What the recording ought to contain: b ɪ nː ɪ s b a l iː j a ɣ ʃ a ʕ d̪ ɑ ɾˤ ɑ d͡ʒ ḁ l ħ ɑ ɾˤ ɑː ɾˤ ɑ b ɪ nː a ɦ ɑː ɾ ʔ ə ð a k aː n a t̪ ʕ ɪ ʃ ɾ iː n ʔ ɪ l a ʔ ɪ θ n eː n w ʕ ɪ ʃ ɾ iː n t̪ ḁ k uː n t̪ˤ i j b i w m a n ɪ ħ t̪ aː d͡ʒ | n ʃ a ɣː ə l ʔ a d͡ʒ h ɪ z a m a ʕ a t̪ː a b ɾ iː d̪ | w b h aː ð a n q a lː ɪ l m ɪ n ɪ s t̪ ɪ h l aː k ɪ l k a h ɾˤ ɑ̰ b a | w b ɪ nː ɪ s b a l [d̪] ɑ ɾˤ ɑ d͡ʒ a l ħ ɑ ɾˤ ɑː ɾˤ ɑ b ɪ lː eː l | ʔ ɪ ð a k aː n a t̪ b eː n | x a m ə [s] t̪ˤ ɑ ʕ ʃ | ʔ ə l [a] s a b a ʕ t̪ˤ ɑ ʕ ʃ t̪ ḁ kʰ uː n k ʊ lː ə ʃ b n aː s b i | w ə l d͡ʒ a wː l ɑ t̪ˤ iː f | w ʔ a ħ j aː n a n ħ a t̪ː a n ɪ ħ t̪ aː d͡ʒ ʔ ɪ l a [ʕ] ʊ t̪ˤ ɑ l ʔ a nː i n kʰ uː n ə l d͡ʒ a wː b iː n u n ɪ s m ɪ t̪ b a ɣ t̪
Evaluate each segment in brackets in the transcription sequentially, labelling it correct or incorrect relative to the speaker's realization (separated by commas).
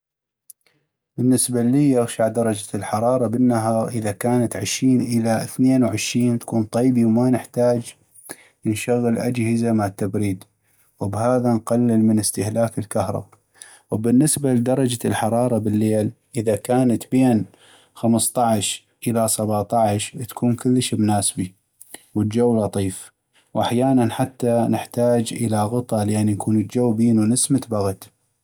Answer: correct, correct, correct, incorrect